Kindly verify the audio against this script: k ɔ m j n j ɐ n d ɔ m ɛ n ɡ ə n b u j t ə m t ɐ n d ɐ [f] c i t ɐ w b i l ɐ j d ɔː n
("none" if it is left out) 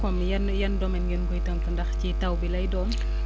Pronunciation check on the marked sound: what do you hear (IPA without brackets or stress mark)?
x